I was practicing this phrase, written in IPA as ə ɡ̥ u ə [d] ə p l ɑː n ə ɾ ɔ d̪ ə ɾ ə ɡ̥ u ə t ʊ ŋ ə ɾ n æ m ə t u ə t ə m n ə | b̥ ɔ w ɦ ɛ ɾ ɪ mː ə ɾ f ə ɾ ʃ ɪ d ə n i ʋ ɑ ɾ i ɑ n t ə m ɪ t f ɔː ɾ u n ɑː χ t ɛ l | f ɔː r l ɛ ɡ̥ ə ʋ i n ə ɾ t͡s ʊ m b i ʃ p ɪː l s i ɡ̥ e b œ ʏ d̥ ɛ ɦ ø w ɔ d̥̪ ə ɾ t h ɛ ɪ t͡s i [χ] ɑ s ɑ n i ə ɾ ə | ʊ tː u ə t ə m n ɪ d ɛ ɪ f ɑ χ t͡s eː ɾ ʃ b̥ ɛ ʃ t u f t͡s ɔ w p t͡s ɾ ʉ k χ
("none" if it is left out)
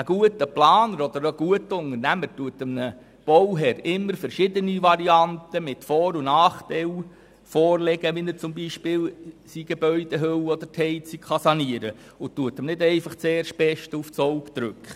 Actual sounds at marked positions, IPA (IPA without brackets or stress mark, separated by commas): t, χ